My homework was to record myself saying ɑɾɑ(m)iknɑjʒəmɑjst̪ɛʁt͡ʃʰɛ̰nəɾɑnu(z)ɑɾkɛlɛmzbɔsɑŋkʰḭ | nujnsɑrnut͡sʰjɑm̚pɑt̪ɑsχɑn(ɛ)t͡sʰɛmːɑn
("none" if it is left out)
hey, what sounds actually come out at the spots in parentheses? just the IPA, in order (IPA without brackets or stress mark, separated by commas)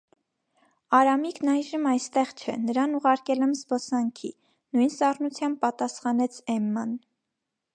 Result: m, ʁ, ɛ